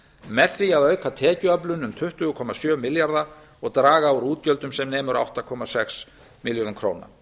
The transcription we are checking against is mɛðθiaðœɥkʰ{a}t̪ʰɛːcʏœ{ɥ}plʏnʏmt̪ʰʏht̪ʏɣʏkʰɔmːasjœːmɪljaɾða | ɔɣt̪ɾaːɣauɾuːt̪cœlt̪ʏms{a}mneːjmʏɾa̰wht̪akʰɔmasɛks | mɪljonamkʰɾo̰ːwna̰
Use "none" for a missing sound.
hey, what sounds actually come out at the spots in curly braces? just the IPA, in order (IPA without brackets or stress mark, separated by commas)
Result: a, none, ɛ